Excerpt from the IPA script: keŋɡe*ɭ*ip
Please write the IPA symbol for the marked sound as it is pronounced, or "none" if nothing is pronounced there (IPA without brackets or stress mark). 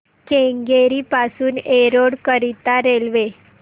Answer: ɾ